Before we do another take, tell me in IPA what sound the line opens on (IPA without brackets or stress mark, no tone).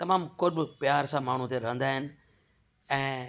t̪